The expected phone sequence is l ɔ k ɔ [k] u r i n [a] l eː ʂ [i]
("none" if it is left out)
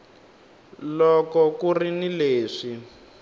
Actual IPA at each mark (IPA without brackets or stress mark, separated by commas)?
k, i, i